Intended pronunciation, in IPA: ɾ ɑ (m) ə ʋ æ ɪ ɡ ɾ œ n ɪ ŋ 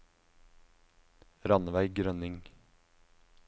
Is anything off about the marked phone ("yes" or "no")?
yes